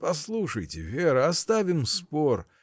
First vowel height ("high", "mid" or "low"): low